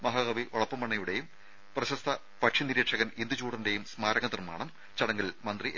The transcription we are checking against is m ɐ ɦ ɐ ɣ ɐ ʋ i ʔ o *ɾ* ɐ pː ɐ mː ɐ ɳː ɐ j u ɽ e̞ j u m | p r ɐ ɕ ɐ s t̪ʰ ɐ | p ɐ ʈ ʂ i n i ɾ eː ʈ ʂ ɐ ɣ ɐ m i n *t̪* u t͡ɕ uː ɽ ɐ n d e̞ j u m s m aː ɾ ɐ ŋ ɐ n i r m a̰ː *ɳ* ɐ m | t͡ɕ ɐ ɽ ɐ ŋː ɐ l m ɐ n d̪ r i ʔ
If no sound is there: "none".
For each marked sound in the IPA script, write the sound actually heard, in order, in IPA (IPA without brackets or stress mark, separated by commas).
ɭ, d̪, ɳ